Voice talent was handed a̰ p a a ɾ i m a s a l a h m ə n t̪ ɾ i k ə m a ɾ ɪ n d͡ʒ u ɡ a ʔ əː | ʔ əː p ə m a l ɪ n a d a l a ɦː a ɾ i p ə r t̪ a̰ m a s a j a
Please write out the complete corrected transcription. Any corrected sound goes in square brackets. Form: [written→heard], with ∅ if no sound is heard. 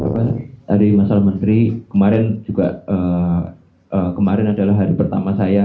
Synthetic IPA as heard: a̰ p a a ɾ i m a s a l a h m ə n t̪ ɾ i k ə m a ɾ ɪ n d͡ʒ u ɡ a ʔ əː | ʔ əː [p→k] ə m a [l→ɾ] ɪ n a d a l a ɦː a ɾ i p ə r t̪ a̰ m a s a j a